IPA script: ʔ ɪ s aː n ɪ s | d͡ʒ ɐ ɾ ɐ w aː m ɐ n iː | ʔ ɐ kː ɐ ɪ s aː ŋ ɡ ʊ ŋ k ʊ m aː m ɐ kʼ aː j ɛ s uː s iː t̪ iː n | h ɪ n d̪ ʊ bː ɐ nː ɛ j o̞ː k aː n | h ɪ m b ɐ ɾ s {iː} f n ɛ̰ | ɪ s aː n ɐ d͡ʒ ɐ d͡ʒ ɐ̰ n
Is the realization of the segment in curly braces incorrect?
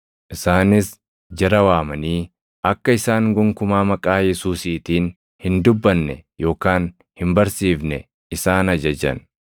no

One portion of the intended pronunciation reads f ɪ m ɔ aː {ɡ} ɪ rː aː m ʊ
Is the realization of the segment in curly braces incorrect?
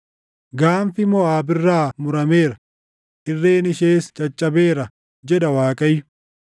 yes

